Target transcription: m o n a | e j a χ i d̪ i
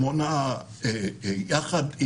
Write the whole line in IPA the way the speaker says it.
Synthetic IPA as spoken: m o n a | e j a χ a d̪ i